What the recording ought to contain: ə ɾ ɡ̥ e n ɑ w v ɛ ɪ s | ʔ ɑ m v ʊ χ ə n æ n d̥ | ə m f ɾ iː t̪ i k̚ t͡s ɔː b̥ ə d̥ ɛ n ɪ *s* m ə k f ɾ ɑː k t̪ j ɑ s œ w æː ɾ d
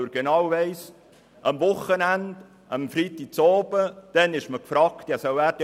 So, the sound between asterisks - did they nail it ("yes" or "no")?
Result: no